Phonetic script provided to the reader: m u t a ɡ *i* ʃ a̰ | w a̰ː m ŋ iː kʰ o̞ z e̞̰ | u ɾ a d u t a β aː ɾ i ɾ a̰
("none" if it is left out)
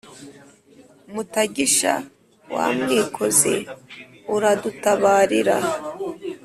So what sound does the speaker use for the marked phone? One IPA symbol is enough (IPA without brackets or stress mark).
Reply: i